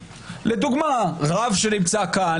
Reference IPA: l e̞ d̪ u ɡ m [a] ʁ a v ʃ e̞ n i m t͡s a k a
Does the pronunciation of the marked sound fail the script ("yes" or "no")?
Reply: no